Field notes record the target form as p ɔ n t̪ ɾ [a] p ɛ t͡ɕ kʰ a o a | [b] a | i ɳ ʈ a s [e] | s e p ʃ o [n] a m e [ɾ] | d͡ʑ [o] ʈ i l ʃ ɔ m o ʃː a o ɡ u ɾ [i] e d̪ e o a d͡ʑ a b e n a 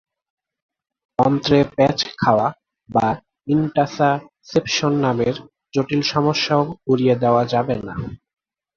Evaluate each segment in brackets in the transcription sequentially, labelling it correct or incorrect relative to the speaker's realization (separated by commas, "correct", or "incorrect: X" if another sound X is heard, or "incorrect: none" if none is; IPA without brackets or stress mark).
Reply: incorrect: e, correct, incorrect: a, incorrect: nː, correct, correct, correct